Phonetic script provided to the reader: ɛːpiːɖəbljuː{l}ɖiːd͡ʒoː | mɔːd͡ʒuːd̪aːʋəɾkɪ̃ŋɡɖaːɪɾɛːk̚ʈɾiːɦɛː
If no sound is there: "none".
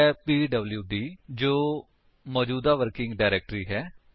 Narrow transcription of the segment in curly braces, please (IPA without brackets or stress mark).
none